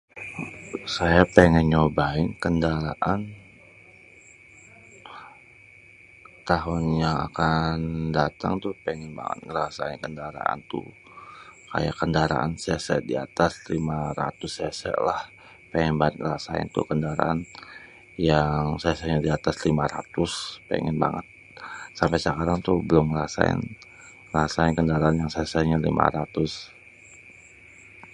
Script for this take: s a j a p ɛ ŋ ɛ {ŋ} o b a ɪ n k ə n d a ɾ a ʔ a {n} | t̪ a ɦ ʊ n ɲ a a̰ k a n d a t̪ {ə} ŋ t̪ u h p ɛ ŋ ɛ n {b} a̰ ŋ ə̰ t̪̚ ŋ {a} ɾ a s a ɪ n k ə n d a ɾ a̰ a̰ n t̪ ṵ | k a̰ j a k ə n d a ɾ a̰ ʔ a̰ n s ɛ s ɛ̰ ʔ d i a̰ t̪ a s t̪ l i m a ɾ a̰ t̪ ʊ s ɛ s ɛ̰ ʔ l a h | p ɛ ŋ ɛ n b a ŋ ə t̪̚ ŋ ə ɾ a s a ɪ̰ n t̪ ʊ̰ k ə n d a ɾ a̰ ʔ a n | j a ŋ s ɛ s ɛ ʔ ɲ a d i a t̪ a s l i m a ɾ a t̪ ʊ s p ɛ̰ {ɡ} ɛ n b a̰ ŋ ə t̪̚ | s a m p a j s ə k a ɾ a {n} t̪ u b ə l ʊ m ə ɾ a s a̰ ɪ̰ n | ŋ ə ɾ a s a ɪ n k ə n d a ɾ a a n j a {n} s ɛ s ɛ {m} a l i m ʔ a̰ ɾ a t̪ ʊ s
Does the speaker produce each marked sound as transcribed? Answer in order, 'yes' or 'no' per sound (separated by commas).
no, yes, no, yes, no, no, no, no, no